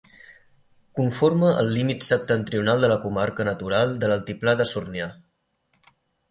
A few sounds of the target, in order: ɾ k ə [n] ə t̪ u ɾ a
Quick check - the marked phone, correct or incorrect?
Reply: correct